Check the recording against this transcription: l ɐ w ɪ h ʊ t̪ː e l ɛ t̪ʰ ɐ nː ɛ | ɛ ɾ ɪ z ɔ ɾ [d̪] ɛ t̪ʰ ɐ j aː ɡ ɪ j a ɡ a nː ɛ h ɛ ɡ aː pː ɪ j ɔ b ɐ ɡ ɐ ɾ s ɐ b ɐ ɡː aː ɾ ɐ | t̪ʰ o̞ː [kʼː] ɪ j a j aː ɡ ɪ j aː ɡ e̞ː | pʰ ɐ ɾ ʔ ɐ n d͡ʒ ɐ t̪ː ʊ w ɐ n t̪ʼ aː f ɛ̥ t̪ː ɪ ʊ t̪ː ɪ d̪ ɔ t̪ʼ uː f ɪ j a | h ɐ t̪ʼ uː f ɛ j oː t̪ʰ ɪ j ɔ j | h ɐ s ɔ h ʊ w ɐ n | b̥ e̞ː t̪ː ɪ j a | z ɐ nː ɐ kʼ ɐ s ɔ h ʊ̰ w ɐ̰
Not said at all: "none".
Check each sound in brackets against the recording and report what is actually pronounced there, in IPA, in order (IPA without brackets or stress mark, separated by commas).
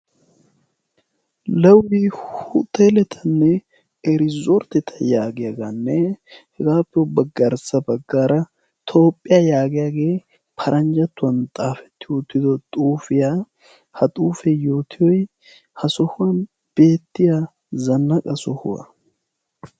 t̪, pʼː